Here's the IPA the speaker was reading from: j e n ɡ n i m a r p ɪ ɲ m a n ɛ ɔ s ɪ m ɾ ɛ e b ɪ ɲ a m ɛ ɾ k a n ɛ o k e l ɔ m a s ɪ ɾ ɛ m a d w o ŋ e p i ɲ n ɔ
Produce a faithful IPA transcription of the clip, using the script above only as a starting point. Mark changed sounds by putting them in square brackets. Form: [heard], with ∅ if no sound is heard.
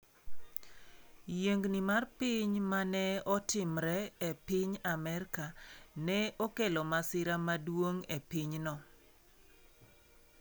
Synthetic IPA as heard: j e [ŋ] ɡ n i m a r p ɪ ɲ m a n ɛ ɔ [t] ɪ m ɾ ɛ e [p] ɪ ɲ a m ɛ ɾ k a n ɛ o k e l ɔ m a s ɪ ɾ [a] m a d w o ŋ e p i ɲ n ɔ

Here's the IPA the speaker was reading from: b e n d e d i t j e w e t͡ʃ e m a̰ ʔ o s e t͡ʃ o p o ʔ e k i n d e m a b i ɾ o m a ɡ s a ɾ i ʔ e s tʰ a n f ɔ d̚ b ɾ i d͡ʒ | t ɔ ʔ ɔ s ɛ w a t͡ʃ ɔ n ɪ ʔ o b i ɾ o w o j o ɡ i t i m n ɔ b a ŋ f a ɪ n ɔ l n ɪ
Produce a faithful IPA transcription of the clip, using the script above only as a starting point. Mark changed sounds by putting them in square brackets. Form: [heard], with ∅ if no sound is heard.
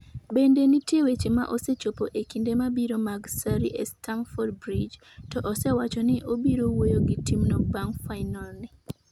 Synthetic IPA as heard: b e n d e [n] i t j e w e t͡ʃ e m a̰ ʔ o s e t͡ʃ o p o ʔ e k i n d e m a b i ɾ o m a ɡ s a ɾ i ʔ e s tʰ a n f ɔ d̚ b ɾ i d͡ʒ | t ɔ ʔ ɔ s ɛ w a t͡ʃ ɔ n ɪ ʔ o b i ɾ o w o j o ɡ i t i m n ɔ b a ŋ f a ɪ n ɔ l n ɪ

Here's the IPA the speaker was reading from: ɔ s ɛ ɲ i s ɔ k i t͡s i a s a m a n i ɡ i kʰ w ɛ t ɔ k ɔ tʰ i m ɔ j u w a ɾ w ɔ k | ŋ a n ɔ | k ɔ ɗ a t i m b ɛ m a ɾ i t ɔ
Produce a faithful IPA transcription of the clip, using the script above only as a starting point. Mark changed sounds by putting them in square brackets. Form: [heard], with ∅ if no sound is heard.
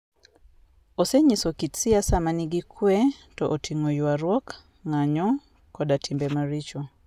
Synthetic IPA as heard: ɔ s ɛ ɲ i s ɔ k i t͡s i a s a m a n i ɡ i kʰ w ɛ t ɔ [ʔ] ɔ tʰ i [ŋ] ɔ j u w a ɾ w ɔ k | ŋ a [ɲ] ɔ | k ɔ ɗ a t i m b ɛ m a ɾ i [t͡ʃ] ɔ

